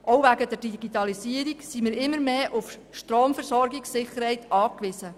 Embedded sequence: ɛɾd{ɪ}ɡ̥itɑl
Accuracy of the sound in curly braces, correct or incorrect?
incorrect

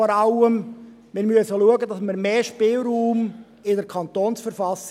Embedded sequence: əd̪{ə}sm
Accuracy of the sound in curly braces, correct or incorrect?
incorrect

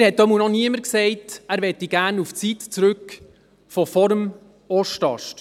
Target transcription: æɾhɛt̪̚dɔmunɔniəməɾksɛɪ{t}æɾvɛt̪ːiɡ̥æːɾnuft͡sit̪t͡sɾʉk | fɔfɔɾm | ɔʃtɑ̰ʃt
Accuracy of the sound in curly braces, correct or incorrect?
correct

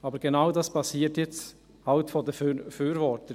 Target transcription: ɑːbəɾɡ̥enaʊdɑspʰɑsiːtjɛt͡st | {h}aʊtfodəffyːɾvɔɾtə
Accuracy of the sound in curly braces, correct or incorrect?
correct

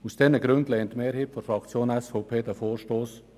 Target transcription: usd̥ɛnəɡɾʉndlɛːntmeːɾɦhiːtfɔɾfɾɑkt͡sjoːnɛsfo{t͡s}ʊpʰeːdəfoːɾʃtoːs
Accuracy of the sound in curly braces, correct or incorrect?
incorrect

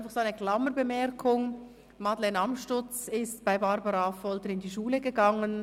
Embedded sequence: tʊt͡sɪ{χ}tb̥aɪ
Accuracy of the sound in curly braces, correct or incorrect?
incorrect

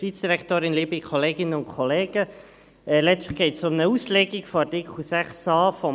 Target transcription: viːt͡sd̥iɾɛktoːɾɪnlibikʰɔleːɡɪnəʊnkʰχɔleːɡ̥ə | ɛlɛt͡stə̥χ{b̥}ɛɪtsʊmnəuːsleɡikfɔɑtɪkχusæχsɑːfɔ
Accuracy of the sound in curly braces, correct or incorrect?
incorrect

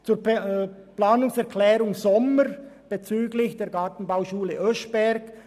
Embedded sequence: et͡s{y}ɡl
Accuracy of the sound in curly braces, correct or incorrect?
incorrect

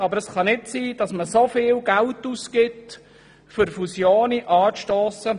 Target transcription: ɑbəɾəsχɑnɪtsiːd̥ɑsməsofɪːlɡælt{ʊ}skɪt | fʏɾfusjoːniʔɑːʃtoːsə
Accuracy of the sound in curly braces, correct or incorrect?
incorrect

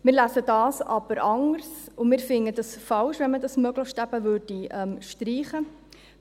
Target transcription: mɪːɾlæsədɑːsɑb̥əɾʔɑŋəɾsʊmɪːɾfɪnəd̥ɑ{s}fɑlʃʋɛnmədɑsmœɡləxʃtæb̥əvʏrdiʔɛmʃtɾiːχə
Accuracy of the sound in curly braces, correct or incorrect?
correct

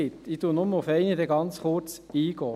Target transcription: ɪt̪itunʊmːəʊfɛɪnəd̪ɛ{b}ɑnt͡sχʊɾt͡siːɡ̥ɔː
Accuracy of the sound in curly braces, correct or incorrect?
incorrect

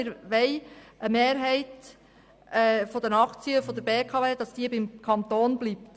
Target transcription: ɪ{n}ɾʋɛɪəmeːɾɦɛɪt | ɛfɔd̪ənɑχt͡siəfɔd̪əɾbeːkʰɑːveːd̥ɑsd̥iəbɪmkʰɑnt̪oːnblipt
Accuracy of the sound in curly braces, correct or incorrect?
incorrect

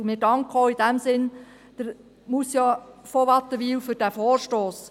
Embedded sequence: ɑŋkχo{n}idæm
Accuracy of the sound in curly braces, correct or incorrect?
incorrect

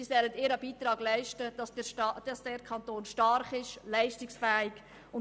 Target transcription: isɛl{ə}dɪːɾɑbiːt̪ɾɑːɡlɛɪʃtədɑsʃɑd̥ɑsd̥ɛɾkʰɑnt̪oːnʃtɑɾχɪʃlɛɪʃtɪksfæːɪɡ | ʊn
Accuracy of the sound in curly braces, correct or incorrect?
correct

